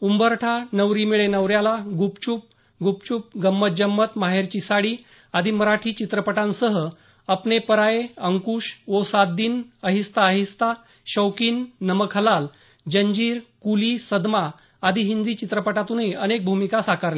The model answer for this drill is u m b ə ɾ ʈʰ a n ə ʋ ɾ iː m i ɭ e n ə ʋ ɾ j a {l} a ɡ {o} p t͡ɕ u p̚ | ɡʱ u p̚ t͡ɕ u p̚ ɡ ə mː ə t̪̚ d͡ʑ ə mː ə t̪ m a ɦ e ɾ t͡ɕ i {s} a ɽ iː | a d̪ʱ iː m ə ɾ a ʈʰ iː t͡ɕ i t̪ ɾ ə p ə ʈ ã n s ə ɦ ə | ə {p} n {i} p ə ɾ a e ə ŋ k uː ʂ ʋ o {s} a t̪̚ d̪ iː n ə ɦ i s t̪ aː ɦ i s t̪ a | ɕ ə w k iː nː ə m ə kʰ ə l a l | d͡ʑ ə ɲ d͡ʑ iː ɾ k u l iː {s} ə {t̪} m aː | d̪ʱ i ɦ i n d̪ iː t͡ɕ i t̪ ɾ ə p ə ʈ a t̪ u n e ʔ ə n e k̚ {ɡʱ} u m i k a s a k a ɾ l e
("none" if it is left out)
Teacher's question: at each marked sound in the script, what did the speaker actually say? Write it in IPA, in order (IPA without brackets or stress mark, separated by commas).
l, u, s, p, e, s, s, d̪, bʱ